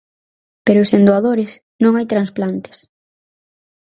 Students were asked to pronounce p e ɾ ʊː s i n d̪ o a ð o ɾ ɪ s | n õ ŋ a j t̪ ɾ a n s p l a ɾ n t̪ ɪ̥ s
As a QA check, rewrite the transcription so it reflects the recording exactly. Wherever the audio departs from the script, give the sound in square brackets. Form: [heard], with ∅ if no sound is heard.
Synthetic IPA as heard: p e ɾ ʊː s [e] n d̪ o a ð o ɾ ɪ s | n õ ŋ a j t̪ ɾ a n s p l a [∅] n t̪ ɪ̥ s